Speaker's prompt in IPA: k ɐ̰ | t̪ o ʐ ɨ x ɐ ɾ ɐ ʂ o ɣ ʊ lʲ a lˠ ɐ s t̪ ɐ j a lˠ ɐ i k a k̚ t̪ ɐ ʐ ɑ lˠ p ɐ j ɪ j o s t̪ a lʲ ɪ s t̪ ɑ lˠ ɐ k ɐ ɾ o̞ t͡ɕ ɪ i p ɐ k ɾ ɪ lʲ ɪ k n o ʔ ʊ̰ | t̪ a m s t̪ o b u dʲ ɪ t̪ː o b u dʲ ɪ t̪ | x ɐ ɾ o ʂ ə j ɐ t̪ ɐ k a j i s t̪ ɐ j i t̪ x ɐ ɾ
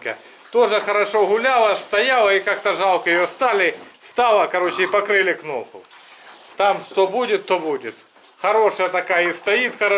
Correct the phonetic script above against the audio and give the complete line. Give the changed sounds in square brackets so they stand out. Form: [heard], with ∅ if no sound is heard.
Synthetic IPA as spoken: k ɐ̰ | t̪ o ʐ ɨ x ɐ ɾ ɐ ʂ o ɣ ʊ lʲ a lˠ ɐ s t̪ ɐ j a lˠ ɐ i k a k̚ t̪ ɐ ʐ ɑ lˠ [k] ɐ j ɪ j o s t̪ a lʲ ɪ s t̪ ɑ lˠ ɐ k ɐ ɾ o̞ t͡ɕ ɪ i p ɐ k ɾ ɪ lʲ ɪ k n o [p] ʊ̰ | t̪ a m [ʂ] t̪ o b u dʲ ɪ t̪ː o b u dʲ ɪ t̪ | x ɐ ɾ o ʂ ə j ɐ t̪ ɐ k a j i s t̪ ɐ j i t̪ x ɐ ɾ

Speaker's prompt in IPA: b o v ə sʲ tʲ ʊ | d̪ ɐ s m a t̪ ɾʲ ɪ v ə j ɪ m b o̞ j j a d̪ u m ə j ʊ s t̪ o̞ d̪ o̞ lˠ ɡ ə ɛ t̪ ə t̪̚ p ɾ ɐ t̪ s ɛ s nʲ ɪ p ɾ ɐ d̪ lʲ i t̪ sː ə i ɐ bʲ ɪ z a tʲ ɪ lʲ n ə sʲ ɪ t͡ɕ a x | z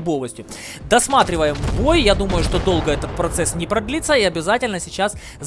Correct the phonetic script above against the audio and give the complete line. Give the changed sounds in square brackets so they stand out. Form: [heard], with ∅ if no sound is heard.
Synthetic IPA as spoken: b o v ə sʲ tʲ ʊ | d̪ ɐ s m a t̪ ɾʲ ɪ v ə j ɪ m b o̞ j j a d̪ u m ə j ʊ [ʂ] t̪ o̞ d̪ o̞ lˠ ɡ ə ɛ t̪ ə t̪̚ p ɾ ɐ t̪ s ɛ s nʲ ɪ p ɾ ɐ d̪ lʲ i t̪ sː ə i ɐ bʲ ɪ z a tʲ ɪ lʲ n ə sʲ ɪ t͡ɕ a [s] | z

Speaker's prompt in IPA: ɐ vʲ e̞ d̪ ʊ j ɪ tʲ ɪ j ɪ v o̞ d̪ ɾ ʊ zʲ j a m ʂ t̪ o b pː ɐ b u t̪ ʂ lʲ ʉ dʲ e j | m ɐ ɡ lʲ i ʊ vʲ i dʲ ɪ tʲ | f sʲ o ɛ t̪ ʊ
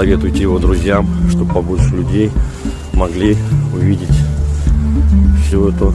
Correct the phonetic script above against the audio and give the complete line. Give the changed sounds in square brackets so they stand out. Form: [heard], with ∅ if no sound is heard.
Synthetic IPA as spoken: ɐ vʲ e̞ [t̪] ʊ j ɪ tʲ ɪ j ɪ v o̞ d̪ ɾ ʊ zʲ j a m ʂ t̪ o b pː ɐ b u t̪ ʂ lʲ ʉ dʲ e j | m ɐ ɡ lʲ i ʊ vʲ i dʲ ɪ tʲ | f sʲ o ɛ t̪ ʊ

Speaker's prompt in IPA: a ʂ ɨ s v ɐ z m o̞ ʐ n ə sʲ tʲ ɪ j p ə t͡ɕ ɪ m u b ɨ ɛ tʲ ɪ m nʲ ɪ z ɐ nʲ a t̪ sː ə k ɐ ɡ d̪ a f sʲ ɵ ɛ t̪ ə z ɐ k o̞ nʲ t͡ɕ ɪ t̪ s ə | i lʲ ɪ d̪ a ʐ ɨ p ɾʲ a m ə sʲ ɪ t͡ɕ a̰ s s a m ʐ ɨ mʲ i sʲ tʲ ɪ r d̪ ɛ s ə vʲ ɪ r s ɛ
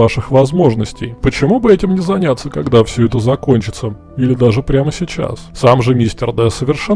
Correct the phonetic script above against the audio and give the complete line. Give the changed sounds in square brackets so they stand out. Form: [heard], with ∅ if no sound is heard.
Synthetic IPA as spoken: a ʂ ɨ [x] v ɐ z m o̞ ʐ n ə sʲ tʲ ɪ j p ə t͡ɕ ɪ m u b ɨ ɛ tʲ ɪ m nʲ ɪ z ɐ nʲ a t̪ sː ə k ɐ ɡ d̪ a f sʲ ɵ ɛ t̪ ə z ɐ k o̞ nʲ t͡ɕ ɪ t̪ s ə | i lʲ ɪ d̪ a ʐ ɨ p ɾʲ a m ə sʲ ɪ t͡ɕ a̰ s s a m ʐ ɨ mʲ i sʲ tʲ ɪ r d̪ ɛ s ə vʲ ɪ r [ʂ] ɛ

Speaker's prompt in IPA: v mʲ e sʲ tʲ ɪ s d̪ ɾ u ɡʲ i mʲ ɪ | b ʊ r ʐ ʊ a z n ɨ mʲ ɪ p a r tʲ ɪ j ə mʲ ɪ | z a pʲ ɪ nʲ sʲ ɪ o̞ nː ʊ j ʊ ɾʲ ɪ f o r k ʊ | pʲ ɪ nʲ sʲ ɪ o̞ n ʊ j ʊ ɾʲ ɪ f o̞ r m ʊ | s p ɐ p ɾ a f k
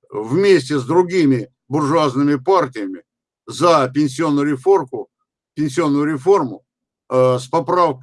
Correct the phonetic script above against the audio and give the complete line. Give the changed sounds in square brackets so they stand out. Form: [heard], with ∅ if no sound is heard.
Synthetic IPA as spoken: v mʲ e sʲ tʲ ɪ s d̪ ɾ [ʊ] ɡʲ i mʲ ɪ | b ʊ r ʐ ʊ a z n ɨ mʲ ɪ p a r tʲ ɪ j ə mʲ ɪ | z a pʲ ɪ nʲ sʲ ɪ o̞ nː ʊ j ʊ ɾʲ ɪ f o r k ʊ | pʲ ɪ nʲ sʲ ɪ o̞ [nː] ʊ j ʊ ɾʲ ɪ f o̞ r m ʊ | s p ɐ p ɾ a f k

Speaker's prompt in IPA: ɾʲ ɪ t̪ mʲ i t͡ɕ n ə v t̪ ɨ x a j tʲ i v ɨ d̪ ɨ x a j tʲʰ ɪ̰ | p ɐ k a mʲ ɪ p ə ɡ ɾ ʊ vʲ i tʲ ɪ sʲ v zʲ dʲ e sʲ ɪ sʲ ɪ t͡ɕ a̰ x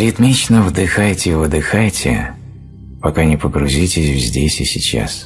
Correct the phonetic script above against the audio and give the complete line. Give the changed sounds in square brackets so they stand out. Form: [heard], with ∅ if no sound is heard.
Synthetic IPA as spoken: ɾʲ ɪ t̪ mʲ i t͡ɕ n ə v [d̪] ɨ x a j tʲ [ɪ] v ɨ d̪ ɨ x a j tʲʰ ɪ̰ | p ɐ k a [nʲ] ɪ p ə ɡ ɾ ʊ [zʲ] i tʲ ɪ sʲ v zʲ dʲ e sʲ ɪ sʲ ɪ t͡ɕ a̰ [s]

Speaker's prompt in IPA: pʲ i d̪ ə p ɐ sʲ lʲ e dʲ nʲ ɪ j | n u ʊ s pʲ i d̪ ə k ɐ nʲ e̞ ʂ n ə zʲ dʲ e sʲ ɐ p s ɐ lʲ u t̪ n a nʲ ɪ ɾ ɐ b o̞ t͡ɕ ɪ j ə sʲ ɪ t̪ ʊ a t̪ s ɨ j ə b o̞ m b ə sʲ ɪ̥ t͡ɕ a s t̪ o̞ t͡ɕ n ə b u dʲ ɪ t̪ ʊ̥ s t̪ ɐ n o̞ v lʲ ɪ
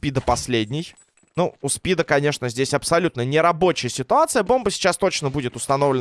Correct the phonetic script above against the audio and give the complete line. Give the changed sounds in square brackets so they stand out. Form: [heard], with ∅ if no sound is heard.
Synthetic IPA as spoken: pʲ i d̪ ə p ɐ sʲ lʲ e dʲ nʲ ɪ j | n u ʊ s pʲ i d̪ ə k ɐ nʲ e̞ ʂ n ə zʲ dʲ e sʲ ɐ p s ɐ lʲ u t̪ n [ə] nʲ ɪ ɾ ɐ b o̞ t͡ɕ ɪ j ə sʲ ɪ t̪ ʊ a t̪ s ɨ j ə b o̞ m b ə sʲ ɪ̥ t͡ɕ a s t̪ o̞ t͡ɕ n ə b u dʲ ɪ t̪ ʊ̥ s t̪ ɐ n o̞ v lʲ ɪ

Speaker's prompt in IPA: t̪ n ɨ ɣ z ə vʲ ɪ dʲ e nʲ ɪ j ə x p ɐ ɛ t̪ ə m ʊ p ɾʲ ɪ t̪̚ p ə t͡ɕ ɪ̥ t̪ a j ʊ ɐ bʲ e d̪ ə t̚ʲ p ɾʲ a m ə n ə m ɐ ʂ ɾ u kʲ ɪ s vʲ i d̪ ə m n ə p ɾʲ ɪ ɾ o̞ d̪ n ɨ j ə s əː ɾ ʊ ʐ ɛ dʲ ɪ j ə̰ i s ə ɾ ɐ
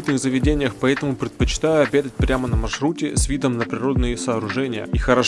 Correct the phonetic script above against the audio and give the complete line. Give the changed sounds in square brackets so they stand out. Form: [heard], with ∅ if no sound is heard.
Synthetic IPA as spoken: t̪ n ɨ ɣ z ə vʲ ɪ dʲ e nʲ ɪ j ə x p ɐ ɛ t̪ ə m ʊ p ɾʲ ɪ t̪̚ p ə t͡ɕ ɪ̥ t̪ a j ʊ ɐ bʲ e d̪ ə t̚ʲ p ɾʲ a m ə n ə m ɐ ʂ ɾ u [tʲ] ɪ s vʲ i d̪ ə m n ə p ɾʲ ɪ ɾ o̞ d̪ n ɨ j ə s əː ɾ ʊ ʐ ɛ [nʲ] ɪ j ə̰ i [x] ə ɾ ɐ

